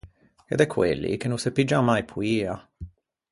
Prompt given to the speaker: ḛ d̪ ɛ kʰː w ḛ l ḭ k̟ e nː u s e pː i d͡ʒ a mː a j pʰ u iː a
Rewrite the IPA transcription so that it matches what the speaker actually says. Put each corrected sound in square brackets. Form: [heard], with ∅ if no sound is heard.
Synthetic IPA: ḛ d̪ ɛ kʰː w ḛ [lː] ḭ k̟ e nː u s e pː i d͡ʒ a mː a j pʰ u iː a